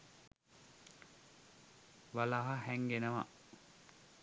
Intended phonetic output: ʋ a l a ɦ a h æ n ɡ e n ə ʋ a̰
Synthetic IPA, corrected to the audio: ʋ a l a ɦ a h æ ŋ ɡ e n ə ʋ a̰